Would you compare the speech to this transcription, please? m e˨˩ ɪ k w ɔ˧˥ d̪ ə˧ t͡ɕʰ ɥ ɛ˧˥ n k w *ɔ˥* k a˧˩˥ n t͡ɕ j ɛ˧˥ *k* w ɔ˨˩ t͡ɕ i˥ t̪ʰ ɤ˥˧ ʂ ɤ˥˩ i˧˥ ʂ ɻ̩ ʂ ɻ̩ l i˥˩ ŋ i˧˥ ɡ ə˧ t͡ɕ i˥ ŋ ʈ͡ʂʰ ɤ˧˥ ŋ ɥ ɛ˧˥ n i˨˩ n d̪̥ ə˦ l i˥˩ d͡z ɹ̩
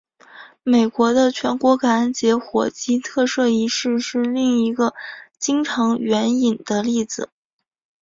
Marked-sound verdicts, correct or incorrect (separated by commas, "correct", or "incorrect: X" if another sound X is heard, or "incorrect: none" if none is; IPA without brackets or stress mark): incorrect: ɔ˧˥, incorrect: x